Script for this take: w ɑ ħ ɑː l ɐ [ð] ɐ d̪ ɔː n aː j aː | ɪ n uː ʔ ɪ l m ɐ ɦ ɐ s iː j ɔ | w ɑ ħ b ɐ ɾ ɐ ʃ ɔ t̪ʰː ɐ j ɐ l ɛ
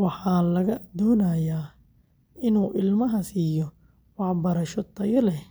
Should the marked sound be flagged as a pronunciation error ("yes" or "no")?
yes